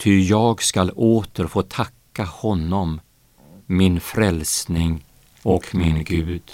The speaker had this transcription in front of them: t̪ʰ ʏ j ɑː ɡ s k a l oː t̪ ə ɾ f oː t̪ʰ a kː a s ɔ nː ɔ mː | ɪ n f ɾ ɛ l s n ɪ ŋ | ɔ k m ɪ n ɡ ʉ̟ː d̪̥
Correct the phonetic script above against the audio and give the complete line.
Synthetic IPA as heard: t̪ʰ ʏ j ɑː ɡ s k a l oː t̪ ə ɾ f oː t̪ʰ a kː a h ɔ nː ɔ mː | ɪ n f ɾ ɛ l s n ɪ ŋ | ɔ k m ɪ n ɡ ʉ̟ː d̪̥